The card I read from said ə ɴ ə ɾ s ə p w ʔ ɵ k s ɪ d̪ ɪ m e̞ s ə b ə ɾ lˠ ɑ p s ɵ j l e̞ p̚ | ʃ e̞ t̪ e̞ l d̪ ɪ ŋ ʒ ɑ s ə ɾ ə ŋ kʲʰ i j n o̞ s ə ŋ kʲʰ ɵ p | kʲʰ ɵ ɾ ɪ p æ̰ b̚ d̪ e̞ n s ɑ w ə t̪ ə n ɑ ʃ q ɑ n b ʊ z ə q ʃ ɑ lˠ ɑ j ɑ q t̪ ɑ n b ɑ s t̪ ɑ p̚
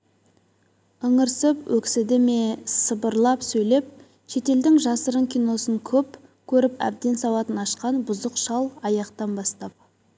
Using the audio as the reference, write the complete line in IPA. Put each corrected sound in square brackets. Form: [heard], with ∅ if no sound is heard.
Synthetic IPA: ə ɴ ə ɾ s ə p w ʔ ɵ k s ɪ d̪ ɪ m e̞ s ə b ə ɾ lˠ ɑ p s ɵ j l e̞ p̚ | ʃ e̞ t̪ e̞ l d̪ ɪ ŋ ʒ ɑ s ə ɾ ə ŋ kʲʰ i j n o̞ s ə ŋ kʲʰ ɵ p | kʲʰ ɵ ɾ ɪ p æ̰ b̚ d̪ e̞ n s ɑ w [ɑ] t̪ ə n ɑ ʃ q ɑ n b ʊ z ə q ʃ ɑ lˠ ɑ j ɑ q t̪ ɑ n b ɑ s t̪ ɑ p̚